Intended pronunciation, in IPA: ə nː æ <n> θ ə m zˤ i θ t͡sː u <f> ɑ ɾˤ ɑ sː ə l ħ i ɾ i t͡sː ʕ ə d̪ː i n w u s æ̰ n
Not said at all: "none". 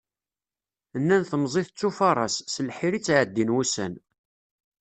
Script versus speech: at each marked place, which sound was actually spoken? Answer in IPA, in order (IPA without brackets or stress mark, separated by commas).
n, f